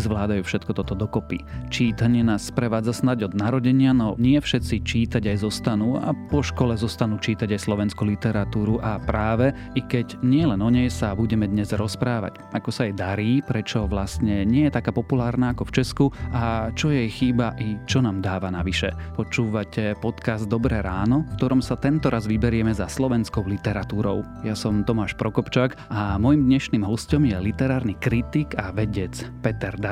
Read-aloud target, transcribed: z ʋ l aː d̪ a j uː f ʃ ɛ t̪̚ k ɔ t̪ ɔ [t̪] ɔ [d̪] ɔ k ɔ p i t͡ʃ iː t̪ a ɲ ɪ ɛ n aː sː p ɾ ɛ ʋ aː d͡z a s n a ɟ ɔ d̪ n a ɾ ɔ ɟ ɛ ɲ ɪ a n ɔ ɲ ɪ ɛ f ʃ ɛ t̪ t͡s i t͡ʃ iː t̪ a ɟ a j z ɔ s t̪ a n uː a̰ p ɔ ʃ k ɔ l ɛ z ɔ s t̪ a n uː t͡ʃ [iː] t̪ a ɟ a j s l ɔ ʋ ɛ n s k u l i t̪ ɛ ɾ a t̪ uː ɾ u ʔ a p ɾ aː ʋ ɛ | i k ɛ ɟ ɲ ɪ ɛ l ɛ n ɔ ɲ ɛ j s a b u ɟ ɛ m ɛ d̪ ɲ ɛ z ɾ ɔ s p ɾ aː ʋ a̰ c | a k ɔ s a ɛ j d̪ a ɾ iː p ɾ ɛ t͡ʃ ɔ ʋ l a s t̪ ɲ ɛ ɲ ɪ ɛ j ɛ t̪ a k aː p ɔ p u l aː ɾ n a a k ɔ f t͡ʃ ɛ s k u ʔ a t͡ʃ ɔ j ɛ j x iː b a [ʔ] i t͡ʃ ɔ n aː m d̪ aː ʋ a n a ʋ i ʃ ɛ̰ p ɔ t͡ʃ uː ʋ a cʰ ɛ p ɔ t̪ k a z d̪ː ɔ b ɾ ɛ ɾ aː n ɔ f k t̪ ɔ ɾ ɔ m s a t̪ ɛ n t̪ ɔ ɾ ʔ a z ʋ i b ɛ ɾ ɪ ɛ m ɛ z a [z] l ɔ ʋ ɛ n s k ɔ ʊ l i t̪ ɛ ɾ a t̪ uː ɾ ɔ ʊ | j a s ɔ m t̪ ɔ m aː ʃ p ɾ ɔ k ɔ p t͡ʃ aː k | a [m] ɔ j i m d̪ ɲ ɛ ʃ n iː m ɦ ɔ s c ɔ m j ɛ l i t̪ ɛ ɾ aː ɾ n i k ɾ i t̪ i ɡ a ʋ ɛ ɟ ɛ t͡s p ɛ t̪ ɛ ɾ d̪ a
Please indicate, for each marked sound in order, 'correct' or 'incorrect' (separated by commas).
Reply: correct, correct, correct, correct, incorrect, correct